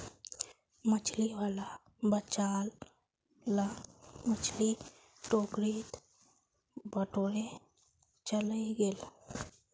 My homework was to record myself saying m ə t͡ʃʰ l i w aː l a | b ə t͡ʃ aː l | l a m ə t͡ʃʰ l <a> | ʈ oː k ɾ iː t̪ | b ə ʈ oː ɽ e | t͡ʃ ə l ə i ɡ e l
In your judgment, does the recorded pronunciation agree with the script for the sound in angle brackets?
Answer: no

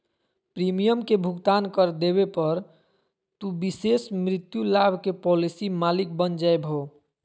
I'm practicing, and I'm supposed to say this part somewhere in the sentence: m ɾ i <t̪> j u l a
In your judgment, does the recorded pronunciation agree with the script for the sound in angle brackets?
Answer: yes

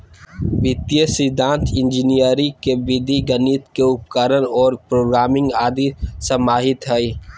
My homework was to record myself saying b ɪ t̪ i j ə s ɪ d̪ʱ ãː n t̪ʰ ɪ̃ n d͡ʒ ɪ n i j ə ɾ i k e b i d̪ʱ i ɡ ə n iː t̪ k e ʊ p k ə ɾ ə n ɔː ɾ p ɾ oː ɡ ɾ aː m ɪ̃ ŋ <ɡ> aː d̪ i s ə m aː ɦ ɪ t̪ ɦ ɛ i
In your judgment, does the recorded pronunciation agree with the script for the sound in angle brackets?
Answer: yes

